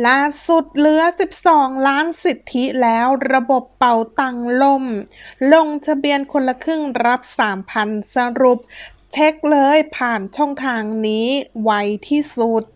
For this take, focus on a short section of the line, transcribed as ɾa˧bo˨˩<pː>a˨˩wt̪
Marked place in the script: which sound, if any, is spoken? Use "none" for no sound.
pː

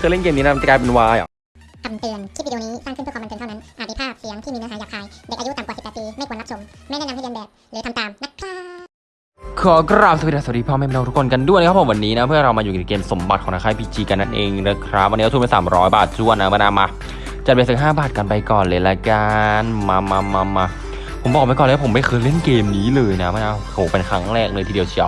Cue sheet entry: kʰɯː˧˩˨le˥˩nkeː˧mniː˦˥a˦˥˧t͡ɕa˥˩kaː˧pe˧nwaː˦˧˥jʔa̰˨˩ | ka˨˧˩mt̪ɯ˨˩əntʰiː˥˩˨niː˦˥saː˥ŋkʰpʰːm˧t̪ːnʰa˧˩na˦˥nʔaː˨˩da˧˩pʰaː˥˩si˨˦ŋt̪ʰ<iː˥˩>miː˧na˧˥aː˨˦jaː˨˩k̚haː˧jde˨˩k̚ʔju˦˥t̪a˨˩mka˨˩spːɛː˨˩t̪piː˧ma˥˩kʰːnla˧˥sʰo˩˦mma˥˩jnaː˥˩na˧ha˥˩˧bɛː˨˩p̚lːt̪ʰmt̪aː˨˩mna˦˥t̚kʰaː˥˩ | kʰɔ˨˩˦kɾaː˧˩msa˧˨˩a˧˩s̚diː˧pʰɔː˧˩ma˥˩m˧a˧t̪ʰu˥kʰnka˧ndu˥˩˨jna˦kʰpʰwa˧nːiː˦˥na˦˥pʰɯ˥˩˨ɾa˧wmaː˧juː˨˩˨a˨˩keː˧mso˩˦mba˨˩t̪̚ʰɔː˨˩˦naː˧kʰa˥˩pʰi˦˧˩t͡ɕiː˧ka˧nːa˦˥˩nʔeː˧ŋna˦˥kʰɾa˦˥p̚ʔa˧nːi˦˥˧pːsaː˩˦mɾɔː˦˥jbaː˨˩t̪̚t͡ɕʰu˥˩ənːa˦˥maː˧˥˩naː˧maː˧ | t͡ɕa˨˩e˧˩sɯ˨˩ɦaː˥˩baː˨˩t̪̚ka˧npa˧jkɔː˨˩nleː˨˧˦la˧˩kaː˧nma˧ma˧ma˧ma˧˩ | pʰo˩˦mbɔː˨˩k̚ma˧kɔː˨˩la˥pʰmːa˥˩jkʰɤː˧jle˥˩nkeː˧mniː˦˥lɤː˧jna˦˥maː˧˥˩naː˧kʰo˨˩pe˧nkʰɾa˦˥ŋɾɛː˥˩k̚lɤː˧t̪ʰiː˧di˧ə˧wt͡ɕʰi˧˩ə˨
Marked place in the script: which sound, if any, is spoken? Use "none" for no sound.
iː˥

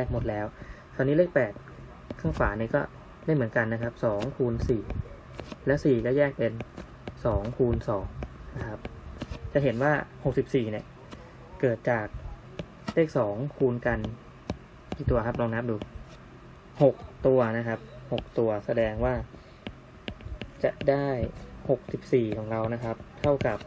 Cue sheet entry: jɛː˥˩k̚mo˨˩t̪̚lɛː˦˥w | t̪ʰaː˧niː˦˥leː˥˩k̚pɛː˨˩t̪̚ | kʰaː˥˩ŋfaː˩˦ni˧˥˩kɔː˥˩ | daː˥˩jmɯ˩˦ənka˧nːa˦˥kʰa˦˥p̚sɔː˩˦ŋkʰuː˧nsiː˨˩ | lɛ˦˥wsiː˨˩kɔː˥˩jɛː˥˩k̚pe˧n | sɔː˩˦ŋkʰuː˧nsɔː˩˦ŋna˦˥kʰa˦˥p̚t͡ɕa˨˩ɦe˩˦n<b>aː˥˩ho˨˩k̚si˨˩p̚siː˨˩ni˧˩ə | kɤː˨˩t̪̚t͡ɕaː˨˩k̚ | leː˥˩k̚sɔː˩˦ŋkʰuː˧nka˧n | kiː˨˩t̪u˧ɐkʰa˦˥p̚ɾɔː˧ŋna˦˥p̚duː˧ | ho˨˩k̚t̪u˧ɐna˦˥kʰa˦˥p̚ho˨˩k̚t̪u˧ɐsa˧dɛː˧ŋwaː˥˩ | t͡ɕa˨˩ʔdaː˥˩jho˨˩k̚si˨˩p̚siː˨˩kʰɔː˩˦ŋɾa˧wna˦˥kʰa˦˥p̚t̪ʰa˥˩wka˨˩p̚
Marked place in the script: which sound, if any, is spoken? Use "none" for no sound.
w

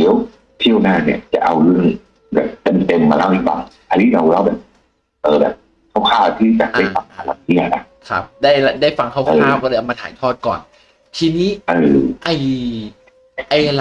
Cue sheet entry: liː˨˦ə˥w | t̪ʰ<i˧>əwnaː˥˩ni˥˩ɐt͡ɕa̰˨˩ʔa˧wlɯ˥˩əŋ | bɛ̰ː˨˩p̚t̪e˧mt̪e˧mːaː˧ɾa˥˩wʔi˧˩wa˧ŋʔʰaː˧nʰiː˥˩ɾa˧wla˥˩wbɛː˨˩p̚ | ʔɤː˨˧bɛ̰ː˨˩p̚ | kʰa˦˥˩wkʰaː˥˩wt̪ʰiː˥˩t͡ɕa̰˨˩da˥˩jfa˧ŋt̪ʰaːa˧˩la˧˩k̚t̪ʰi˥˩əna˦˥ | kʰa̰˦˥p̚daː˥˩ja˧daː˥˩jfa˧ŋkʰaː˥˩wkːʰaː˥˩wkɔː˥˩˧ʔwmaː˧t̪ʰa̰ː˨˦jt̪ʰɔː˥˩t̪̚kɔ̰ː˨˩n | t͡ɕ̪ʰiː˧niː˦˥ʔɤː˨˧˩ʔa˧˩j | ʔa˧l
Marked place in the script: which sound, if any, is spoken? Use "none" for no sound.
i˥˩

